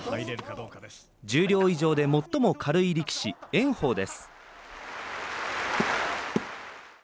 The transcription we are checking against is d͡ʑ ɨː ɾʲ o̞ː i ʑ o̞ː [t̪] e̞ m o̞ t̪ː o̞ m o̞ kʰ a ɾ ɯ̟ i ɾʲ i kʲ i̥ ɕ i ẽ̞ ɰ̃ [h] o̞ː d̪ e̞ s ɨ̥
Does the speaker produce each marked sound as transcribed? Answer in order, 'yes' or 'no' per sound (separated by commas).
no, yes